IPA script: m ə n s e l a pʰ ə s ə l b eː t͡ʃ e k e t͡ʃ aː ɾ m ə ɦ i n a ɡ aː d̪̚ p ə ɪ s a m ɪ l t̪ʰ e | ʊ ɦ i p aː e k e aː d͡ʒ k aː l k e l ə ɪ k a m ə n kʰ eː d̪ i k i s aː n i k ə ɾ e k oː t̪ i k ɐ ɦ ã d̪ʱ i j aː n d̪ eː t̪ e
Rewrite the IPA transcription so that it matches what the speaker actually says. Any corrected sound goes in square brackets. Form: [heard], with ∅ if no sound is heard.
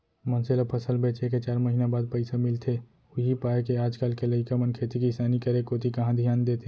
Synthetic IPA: m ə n s e l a pʰ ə s ə l b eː t͡ʃ e k e t͡ʃ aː ɾ m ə ɦ i n a [b] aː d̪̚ p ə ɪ s a m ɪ l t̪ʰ e | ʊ ɦ i p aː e k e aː d͡ʒ k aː l k e l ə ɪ k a m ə n kʰ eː [t̪] i k i s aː n i k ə ɾ e k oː t̪ i k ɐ ɦ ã d̪ʱ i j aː n d̪ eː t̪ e

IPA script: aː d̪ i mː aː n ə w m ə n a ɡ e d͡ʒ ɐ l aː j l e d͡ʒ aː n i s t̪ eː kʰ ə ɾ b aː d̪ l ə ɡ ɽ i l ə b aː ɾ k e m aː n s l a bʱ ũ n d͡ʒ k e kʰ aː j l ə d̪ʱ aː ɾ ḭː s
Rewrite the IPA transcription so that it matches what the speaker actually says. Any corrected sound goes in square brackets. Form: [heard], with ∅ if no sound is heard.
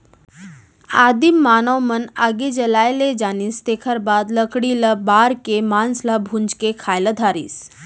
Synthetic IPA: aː d̪ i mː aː n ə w m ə n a ɡ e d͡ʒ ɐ l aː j l e d͡ʒ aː n i s t̪ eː kʰ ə ɾ b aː d̪ l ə [k] ɽ i l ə b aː ɾ k e m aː n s l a bʱ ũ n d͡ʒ k e kʰ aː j l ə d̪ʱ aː ɾ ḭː s

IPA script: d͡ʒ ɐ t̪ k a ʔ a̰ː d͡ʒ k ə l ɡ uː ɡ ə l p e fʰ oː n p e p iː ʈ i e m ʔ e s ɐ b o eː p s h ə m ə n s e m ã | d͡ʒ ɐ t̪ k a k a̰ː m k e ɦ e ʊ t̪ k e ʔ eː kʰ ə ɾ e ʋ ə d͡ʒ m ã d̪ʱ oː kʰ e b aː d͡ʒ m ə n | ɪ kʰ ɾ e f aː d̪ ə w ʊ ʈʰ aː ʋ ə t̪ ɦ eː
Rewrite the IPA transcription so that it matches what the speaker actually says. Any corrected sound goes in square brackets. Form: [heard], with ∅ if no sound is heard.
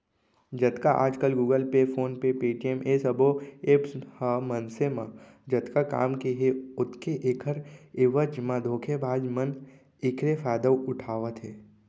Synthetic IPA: d͡ʒ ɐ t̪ k a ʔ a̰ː d͡ʒ k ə l ɡ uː ɡ ə l p e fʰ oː n p e p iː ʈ i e m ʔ e s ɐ b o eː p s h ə m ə n s e m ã | d͡ʒ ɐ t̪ k a k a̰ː m k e ɦ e ʊ t̪ k e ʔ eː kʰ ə ɾ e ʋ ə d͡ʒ m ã d̪ʱ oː kʰ e b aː d͡ʒ m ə n | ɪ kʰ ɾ e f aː d̪ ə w ʊ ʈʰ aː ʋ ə t̪ ɦ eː

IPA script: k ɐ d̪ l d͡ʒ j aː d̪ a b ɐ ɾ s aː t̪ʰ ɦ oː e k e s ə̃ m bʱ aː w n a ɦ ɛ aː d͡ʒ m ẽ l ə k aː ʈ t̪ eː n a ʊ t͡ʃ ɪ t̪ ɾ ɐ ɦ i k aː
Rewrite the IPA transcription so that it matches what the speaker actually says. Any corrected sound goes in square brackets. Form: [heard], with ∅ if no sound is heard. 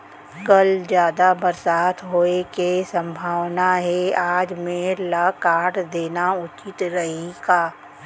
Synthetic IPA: k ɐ [∅] l d͡ʒ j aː d̪ a b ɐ ɾ s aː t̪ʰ ɦ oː e k e s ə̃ m bʱ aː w n a ɦ ɛ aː d͡ʒ m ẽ l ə k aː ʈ [d̪] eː n a ʊ t͡ʃ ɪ t̪ ɾ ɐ ɦ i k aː

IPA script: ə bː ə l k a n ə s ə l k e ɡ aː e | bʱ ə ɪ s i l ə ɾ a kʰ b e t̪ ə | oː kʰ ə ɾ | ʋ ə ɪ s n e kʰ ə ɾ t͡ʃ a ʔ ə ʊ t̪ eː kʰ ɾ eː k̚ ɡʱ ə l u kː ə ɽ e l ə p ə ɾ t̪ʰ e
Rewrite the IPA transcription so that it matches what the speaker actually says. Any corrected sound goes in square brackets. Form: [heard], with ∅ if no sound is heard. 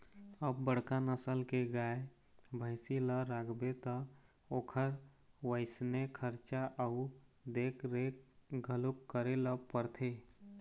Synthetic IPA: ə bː ə [ɽ] k a n ə s ə l k e ɡ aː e | bʱ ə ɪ s i l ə ɾ a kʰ b e t̪ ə | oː kʰ ə ɾ | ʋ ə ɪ s n e kʰ ə ɾ t͡ʃ a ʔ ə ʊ [d̪] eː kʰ ɾ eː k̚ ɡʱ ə l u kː ə [ɾ] e l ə p ə ɾ t̪ʰ e

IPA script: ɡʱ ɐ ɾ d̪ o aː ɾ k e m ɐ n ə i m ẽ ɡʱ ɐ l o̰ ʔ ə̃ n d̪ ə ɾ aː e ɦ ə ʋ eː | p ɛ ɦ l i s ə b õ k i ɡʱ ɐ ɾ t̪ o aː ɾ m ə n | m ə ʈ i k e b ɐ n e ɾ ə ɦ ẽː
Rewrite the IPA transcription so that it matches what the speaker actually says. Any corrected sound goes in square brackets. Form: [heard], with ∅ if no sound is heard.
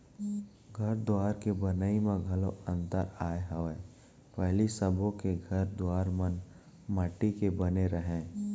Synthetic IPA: ɡʱ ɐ ɾ d̪ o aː ɾ k e [b] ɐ n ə i m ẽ ɡʱ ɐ l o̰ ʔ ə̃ n [t̪] ə ɾ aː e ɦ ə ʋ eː | p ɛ ɦ l i s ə b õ k [e] ɡʱ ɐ ɾ [d̪] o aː ɾ m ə n | m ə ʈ i k e b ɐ n e ɾ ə ɦ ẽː

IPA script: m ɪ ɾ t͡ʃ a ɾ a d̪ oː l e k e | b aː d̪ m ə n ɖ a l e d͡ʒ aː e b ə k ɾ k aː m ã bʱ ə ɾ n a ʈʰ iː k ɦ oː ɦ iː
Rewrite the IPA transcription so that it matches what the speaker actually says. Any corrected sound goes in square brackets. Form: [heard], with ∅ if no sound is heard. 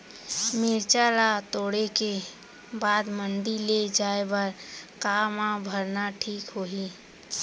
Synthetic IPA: m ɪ ɾ t͡ʃ a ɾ a [t̪] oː [ɽ] e k e | b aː d̪ m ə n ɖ [i] l e d͡ʒ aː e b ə [∅] ɾ k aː m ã bʱ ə ɾ n a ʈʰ iː k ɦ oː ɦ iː

